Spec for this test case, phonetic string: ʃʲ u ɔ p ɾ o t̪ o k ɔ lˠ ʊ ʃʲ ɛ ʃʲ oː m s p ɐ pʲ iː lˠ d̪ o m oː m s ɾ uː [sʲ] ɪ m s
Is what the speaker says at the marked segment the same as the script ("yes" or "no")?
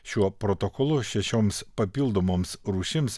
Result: no